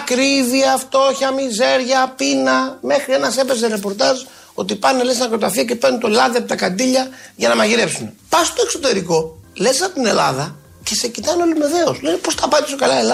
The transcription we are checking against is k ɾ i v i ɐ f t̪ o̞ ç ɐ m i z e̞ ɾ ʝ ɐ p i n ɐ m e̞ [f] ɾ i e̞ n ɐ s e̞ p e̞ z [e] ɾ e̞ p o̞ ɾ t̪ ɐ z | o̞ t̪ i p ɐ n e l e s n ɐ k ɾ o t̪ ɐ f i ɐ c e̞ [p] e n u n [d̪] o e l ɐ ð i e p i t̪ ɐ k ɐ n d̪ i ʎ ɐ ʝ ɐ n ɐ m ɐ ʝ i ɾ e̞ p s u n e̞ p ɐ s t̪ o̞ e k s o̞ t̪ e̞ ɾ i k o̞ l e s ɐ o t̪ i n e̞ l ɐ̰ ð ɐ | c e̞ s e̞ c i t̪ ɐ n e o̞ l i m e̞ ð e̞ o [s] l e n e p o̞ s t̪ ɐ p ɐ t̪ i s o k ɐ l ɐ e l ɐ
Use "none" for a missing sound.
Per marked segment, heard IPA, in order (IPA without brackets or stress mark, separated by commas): x, e, p, t̪, s